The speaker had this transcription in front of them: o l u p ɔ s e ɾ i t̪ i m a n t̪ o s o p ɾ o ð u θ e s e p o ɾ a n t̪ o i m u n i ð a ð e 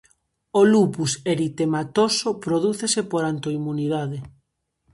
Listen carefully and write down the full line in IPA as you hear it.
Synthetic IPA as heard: o l u p u s e ɾ i t̪ e m a t̪ o s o p ɾ o ð u θ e s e p o ɾ a n t̪ o i m u n i ð a ð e